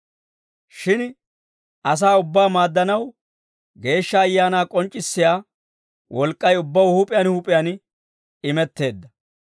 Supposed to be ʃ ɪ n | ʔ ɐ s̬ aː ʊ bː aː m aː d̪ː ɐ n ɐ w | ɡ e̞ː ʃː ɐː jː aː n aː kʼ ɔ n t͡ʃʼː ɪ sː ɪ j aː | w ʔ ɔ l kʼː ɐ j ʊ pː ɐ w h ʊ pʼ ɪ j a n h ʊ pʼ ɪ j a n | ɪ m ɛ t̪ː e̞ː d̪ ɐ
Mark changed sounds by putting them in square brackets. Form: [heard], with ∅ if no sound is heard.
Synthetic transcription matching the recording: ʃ ɪ n | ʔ ɐ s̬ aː ʊ bː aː m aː d̪ː ɐ n ɐ w | ɡ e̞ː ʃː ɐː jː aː n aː kʼ ɔ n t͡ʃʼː ɪ sː ɪ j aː | w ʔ ɔ l kʼː ɐ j ʊ [bː] ɐ w h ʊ pʼ ɪ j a n h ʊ pʼ ɪ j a n | ɪ m ɛ t̪ː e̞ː [d̪ː] ɐ